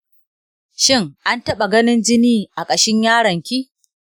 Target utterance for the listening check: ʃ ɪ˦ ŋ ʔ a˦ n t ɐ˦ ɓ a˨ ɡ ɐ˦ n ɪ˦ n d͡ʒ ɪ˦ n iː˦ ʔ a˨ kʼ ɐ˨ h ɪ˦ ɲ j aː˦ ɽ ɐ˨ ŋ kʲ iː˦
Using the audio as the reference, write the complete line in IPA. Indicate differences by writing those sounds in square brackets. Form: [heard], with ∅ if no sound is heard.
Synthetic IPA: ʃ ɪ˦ ŋ ʔ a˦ n t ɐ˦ ɓ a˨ ɡ ɐ˦ n ɪ˦ n d͡ʒ ɪ˦ n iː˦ ʔ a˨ kʼ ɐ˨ [ʃ] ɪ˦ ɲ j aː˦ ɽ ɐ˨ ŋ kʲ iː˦